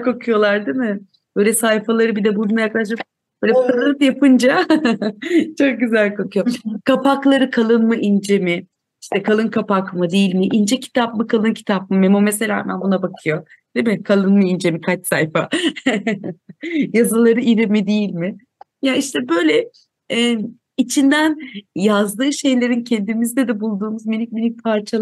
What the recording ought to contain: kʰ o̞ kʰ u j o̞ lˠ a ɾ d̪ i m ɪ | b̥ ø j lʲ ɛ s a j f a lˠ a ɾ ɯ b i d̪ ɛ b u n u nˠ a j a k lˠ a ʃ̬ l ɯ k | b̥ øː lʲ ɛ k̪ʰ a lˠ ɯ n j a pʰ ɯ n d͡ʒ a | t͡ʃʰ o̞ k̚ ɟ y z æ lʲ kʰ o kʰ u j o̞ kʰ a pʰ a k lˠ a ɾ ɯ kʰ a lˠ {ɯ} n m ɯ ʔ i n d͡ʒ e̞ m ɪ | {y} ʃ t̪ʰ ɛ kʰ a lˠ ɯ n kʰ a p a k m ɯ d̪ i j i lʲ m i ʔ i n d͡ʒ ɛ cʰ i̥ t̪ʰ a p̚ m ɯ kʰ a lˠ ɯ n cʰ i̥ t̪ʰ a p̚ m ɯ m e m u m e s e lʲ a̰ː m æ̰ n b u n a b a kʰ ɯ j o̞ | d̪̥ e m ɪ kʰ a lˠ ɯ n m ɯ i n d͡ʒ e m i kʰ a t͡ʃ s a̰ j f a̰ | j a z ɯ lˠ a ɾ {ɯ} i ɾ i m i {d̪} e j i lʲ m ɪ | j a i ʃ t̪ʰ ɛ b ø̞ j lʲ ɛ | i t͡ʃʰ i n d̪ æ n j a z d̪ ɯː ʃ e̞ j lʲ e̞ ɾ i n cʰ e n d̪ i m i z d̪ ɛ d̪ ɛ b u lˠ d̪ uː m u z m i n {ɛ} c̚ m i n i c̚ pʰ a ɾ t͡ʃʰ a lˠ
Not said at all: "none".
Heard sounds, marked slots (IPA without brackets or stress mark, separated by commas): ɯ, i, ɯ, d̪, i